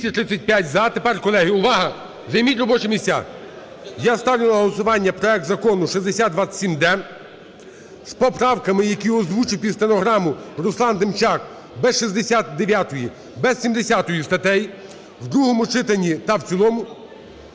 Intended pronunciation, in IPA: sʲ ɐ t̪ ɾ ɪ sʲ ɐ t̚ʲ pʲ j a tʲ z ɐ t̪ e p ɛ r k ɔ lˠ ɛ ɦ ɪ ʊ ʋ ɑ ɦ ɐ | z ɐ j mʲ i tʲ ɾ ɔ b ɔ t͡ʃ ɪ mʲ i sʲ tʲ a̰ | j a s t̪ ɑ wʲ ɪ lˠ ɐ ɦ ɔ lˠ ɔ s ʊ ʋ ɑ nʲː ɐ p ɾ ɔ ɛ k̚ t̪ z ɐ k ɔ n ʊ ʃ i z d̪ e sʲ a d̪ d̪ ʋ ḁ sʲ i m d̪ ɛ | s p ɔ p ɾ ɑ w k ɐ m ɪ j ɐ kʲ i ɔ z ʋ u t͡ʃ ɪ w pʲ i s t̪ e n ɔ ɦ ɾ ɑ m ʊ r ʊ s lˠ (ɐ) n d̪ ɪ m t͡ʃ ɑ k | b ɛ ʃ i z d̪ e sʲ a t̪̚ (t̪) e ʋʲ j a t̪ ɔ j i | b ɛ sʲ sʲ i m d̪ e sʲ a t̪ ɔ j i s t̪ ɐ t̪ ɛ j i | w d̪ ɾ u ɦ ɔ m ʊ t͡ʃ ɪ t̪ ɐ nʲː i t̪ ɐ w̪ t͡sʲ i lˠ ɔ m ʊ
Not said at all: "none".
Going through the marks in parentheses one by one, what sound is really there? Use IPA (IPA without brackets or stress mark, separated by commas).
ɑ, d̪